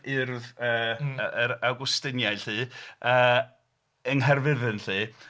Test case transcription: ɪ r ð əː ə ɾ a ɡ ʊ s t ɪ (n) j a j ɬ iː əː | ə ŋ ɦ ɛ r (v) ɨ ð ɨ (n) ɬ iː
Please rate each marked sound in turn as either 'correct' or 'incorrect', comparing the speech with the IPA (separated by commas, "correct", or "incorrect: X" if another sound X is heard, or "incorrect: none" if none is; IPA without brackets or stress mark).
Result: correct, correct, correct